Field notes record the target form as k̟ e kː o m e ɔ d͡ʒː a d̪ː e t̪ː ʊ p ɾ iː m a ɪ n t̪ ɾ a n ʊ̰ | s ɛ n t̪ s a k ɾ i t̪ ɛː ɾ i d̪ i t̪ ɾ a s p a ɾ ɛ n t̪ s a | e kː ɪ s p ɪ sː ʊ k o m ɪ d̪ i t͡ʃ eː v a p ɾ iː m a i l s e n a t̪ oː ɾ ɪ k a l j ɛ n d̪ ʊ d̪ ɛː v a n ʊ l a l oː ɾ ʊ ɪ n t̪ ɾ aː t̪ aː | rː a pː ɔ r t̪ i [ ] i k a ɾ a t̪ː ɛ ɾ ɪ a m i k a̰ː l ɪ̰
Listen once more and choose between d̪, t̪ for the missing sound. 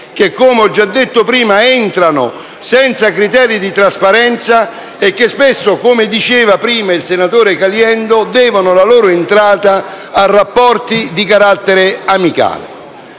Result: d̪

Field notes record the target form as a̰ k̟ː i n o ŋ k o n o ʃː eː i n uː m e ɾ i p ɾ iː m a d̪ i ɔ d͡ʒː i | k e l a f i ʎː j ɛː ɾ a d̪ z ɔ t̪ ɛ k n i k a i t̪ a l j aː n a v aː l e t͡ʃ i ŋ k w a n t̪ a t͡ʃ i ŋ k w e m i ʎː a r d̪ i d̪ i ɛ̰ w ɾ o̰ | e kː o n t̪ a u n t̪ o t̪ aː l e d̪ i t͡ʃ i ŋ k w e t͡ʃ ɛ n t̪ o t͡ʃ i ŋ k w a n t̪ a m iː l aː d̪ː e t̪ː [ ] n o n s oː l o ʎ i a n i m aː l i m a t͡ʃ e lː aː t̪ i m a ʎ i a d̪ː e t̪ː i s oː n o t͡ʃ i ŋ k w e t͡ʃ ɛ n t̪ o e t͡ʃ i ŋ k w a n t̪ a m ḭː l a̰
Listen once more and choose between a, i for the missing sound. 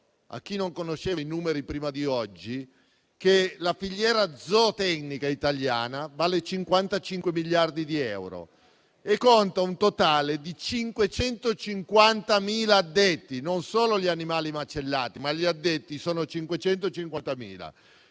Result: i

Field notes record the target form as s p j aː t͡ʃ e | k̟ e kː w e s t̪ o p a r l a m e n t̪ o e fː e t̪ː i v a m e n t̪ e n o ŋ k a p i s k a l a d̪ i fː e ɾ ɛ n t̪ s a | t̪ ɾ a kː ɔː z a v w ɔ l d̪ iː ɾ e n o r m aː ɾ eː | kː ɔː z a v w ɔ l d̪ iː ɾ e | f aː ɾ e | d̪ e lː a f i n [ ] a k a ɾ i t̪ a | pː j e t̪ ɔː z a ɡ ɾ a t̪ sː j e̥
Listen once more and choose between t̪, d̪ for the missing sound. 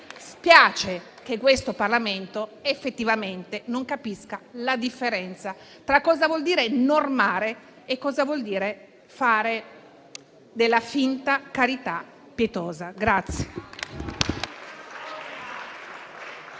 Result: t̪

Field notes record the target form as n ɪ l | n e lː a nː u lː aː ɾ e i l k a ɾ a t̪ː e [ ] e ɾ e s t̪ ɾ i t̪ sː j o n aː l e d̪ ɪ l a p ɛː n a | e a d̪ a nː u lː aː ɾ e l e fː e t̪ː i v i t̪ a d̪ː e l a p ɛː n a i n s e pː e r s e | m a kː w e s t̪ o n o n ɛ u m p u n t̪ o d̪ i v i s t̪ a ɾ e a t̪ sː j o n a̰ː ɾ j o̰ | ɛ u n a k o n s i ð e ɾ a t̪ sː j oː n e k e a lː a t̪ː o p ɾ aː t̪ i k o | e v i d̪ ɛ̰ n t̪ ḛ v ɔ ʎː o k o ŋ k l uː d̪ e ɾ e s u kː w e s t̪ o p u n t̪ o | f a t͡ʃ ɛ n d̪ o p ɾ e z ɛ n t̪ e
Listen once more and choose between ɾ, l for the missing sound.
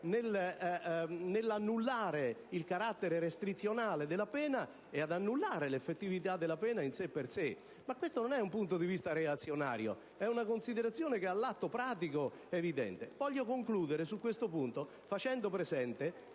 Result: ɾ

